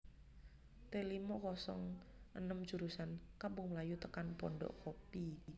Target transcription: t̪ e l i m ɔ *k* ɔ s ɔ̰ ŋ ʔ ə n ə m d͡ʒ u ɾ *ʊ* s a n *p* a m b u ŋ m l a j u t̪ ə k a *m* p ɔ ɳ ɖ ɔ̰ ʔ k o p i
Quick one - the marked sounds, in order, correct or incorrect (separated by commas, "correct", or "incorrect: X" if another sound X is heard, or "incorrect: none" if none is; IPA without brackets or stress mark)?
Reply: correct, incorrect: u, incorrect: k, incorrect: n